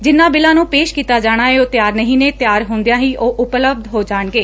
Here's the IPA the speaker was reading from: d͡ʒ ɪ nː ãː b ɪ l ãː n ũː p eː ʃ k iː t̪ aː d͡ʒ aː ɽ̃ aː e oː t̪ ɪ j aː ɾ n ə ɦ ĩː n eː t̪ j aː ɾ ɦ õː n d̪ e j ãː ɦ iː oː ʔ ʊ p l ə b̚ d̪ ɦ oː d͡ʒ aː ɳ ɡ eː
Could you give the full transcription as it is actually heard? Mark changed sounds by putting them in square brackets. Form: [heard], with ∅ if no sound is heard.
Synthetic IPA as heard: d͡ʒ ɪ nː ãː b ɪ l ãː n ũː p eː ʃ k iː t̪ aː d͡ʒ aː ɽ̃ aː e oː t̪ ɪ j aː ɾ n ə ɦ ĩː n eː t̪ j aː ɾ ɦ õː n d̪ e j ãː ɦ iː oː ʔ ʊ p l ə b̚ d̪ ɦ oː d͡ʒ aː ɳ ɡ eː